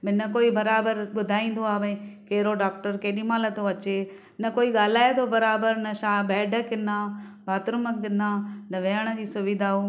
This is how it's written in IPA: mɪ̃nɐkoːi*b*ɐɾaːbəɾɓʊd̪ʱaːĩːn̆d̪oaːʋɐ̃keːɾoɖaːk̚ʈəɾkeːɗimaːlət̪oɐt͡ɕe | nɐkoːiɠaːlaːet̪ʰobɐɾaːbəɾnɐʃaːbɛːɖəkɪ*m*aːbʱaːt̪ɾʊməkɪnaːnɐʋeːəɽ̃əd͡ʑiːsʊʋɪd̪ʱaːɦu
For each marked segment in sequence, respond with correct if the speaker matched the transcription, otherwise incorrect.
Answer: correct, incorrect: n

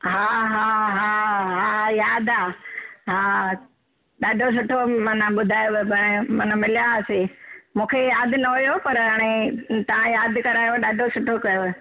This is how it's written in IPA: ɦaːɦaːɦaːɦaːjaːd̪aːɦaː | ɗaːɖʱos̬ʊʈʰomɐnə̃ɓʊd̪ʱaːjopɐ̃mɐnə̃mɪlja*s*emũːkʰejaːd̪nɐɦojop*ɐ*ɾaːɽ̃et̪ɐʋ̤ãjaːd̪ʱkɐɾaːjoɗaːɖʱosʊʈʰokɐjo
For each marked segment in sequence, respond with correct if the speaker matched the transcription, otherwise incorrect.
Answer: correct, correct

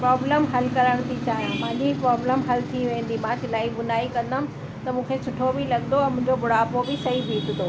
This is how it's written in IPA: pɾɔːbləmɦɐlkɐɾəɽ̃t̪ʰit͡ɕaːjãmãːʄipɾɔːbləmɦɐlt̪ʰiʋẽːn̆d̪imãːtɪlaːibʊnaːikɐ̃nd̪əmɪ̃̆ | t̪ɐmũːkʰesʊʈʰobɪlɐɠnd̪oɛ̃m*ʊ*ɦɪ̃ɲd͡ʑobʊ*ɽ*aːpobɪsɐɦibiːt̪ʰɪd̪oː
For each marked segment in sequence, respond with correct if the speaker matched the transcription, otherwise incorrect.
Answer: incorrect: ʊ̃, correct

